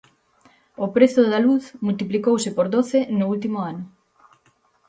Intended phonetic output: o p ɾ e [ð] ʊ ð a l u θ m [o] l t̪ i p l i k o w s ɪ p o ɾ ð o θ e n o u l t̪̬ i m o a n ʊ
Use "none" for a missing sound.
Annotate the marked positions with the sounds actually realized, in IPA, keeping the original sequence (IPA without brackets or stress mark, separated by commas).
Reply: θ, u